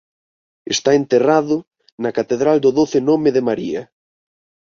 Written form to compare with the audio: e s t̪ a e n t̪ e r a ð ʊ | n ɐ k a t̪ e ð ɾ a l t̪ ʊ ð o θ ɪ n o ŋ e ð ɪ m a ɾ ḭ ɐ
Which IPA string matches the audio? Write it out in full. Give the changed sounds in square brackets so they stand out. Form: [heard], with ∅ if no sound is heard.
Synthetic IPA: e s t̪ a e n t̪ e r a ð ʊ | n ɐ k a t̪ e ð ɾ a l [d̪] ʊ ð o θ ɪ n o [m] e ð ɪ m a ɾ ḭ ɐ